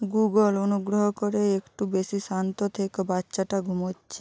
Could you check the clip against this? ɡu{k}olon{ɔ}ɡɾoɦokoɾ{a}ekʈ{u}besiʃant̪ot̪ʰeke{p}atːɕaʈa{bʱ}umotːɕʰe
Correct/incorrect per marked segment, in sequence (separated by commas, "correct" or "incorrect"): incorrect, incorrect, incorrect, correct, incorrect, incorrect